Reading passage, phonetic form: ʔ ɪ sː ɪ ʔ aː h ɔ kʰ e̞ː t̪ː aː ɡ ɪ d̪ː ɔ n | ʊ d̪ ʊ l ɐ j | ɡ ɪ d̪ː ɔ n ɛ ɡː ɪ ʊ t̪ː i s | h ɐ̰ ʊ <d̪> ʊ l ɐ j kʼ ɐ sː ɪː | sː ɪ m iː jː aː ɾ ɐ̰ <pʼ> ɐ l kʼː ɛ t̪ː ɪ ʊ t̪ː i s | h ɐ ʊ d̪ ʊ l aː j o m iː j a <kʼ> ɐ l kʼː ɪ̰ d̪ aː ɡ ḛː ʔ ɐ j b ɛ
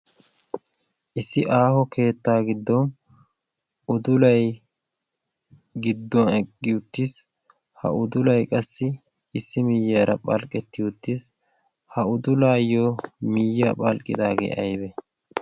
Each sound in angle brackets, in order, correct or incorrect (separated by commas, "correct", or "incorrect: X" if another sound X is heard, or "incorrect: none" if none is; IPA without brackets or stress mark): correct, correct, incorrect: pʼ